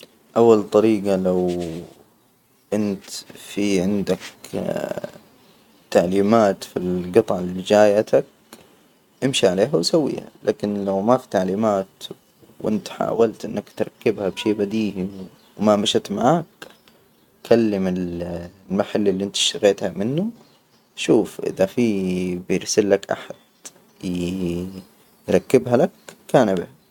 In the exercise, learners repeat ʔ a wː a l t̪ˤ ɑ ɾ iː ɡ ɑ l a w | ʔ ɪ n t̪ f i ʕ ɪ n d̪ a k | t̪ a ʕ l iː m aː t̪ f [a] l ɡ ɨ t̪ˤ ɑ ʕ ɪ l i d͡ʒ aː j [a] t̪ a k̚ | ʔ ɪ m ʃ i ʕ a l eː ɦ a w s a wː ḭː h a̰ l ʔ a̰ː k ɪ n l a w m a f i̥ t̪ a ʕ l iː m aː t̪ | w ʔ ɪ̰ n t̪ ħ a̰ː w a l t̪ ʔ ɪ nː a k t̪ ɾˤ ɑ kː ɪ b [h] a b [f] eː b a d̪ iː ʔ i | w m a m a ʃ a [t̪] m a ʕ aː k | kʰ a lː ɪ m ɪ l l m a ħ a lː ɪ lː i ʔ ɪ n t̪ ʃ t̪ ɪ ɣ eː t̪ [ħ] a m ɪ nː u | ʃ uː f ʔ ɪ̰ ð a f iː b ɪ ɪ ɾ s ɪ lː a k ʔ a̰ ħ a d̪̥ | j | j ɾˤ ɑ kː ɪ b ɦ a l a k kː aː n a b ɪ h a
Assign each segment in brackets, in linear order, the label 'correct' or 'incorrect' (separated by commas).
incorrect, correct, correct, incorrect, correct, incorrect